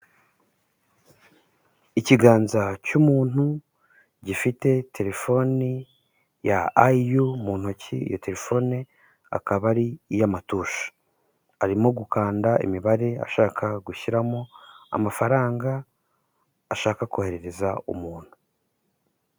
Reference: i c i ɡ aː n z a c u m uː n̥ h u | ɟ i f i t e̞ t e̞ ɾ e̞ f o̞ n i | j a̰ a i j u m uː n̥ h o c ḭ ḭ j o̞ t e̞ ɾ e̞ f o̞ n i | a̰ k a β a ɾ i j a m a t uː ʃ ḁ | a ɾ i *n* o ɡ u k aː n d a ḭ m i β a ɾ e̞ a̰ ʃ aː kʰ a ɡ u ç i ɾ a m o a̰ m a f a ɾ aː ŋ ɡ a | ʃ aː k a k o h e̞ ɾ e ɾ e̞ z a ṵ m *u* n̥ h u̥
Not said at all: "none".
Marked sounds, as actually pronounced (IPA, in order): m, uː

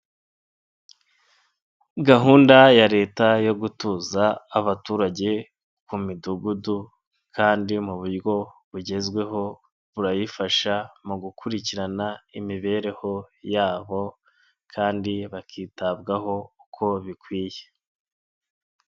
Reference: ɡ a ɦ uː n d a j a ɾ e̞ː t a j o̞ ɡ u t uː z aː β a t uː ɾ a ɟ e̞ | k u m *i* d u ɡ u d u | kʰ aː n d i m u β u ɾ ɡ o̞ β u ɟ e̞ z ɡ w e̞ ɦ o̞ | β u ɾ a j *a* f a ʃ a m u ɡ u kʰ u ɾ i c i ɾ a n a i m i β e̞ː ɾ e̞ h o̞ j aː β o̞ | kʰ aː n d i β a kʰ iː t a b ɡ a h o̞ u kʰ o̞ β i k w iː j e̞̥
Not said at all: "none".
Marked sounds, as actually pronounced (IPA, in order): i, i

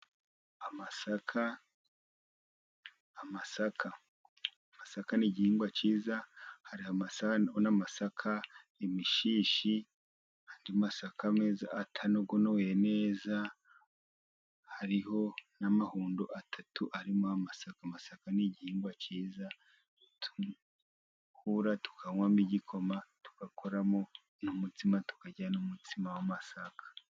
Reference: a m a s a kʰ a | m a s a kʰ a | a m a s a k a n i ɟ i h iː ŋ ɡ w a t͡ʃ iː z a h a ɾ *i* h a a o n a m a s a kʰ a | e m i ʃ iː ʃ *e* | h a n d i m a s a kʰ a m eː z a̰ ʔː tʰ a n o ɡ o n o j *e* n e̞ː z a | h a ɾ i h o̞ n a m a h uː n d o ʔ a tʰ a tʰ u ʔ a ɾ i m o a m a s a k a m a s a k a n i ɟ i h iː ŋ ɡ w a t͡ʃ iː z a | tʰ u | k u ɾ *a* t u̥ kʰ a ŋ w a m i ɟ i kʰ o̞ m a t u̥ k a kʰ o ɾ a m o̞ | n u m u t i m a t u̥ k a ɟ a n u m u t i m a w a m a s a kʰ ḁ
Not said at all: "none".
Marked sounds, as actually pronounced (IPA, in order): i, i, e, a

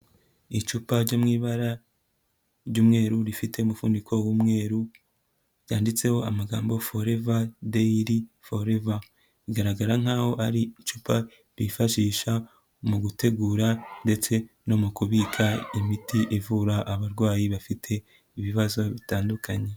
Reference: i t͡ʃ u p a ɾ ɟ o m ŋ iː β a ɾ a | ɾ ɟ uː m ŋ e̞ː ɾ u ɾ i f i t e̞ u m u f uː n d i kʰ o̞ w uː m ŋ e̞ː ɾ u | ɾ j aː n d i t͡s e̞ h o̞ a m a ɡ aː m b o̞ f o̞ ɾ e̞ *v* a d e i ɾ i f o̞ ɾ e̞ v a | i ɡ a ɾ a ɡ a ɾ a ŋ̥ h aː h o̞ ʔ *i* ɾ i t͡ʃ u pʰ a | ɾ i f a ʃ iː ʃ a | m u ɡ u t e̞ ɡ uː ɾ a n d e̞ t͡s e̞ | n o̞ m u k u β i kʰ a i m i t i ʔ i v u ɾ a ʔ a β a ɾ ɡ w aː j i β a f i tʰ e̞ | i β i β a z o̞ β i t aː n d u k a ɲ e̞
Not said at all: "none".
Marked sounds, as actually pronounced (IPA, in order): v, a

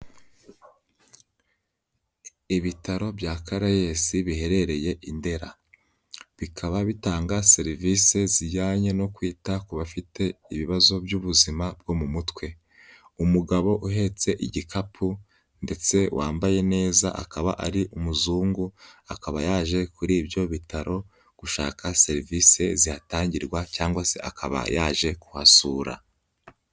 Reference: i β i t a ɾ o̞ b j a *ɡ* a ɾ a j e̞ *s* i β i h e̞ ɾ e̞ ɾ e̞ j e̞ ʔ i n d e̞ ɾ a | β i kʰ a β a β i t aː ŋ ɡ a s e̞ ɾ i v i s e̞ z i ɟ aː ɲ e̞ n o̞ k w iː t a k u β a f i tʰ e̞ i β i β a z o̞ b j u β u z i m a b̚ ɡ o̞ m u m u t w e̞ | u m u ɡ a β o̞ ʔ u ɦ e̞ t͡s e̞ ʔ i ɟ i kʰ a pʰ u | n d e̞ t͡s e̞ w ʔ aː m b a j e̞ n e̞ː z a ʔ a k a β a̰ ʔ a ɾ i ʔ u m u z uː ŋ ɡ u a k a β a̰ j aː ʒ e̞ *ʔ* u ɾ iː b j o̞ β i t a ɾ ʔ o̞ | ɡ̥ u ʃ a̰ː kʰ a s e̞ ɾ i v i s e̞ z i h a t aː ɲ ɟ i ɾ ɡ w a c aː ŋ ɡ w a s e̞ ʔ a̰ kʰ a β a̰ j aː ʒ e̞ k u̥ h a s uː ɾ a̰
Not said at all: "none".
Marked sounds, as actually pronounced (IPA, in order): k, s, k

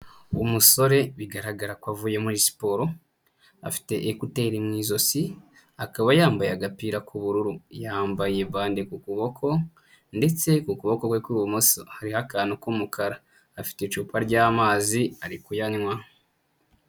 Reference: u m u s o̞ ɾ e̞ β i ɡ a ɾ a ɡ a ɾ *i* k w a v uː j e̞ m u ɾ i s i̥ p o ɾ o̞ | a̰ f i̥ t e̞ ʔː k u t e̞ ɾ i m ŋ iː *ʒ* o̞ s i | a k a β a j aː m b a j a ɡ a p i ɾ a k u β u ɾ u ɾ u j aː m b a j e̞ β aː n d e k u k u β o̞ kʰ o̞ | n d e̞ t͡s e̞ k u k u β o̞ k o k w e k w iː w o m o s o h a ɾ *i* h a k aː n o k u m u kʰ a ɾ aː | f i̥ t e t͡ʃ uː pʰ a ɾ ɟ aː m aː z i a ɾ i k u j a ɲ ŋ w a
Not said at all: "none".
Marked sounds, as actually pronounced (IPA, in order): a, z, i

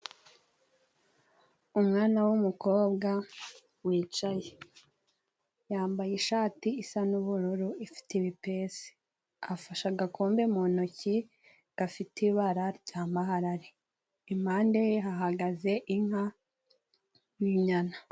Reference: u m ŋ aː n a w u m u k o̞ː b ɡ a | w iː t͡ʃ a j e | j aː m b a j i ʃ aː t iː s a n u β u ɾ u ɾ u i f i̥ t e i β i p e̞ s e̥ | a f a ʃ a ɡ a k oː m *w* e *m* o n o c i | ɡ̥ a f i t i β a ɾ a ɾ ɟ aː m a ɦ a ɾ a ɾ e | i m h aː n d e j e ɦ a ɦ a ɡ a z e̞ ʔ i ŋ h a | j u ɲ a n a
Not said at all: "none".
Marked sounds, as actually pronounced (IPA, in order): b, m

